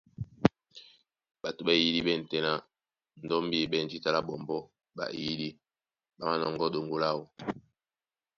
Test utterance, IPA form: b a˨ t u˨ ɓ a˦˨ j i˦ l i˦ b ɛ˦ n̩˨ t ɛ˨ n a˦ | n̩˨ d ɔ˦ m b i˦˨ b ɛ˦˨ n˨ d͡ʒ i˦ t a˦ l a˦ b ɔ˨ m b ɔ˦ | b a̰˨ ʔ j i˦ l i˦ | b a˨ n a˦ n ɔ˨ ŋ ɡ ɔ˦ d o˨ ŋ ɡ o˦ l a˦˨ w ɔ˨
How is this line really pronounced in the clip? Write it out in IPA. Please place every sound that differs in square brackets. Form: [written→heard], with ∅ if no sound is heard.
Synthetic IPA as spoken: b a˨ t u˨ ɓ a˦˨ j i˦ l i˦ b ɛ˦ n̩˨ t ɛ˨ n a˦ | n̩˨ d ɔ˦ m b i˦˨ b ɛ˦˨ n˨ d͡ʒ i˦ t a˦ l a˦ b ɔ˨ m b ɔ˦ | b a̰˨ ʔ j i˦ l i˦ | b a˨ [n→m] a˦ n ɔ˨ ŋ ɡ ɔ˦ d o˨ ŋ ɡ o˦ l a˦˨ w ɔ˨